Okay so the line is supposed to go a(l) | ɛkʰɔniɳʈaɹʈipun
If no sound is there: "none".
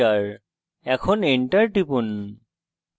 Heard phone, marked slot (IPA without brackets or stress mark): ɹ